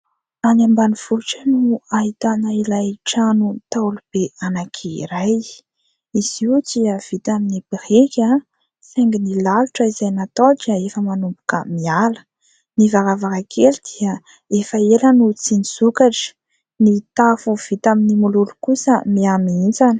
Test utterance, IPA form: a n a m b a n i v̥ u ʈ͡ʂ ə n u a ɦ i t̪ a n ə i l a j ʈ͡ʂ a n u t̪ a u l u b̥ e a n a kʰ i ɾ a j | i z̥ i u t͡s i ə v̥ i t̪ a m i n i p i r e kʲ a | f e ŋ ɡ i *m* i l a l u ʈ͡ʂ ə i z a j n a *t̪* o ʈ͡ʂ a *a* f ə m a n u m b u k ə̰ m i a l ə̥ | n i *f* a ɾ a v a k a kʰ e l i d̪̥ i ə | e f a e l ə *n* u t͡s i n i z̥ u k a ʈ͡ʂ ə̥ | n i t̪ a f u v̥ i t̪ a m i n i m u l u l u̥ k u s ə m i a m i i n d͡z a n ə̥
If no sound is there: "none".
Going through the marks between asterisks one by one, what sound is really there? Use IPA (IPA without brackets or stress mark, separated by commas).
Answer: n, t̪, e, v, n